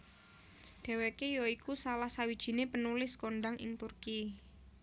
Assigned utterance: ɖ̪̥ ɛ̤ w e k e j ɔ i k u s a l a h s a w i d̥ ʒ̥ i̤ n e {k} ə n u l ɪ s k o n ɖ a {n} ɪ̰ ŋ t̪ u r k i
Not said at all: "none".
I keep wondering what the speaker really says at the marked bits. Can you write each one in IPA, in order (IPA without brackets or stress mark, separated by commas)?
p, ŋ